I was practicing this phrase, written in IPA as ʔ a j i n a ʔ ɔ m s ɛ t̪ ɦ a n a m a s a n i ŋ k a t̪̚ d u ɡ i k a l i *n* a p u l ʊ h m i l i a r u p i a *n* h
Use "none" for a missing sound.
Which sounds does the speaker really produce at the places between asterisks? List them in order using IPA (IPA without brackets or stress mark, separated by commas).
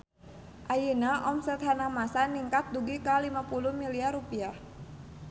m, none